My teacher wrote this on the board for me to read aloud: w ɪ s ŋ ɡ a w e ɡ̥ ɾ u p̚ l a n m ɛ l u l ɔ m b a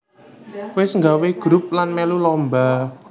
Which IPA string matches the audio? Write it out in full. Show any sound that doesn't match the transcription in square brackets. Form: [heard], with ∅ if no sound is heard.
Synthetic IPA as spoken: w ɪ s ŋ ɡ a w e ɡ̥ ɾ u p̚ l a n m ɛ l u l ɔ m b a